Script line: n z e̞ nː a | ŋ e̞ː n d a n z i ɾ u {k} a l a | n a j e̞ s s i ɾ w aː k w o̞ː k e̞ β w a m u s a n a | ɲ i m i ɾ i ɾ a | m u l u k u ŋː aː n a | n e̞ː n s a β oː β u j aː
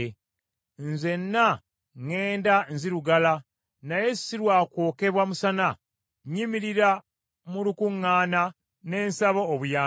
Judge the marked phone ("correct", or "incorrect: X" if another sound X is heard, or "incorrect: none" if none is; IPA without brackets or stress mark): incorrect: ɡ